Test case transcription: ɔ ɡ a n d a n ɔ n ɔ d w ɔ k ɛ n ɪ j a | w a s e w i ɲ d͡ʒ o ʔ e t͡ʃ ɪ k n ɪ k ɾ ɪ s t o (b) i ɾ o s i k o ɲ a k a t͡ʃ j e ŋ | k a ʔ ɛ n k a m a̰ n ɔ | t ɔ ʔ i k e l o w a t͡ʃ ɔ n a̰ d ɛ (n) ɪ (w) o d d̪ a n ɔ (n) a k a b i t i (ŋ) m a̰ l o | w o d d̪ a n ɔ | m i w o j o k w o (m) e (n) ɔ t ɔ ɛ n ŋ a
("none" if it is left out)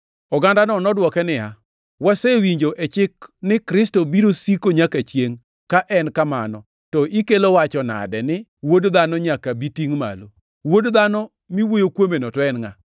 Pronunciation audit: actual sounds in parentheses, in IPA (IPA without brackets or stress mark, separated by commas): b, n, w, ɲ, ŋ, m, n